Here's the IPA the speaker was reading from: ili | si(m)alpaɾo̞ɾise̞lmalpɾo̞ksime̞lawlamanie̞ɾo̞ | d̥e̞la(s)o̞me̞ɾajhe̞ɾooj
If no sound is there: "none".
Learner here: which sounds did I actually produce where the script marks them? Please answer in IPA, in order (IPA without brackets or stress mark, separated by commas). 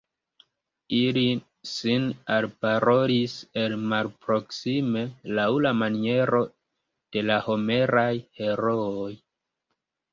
n, h